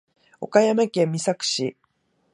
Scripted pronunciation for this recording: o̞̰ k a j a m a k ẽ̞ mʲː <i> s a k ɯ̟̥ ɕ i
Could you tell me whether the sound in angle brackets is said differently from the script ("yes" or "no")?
no